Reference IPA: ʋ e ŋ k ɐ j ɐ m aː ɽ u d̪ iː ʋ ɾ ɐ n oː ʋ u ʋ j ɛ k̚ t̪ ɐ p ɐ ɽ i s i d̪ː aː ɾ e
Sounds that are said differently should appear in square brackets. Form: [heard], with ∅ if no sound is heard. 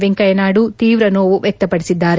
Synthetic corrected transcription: ʋ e ŋ k ɐ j ɐ [n] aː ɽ u [t̪] iː ʋ ɾ ɐ n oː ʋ u ʋ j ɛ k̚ t̪ ɐ p ɐ ɽ i s i d̪ː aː ɾ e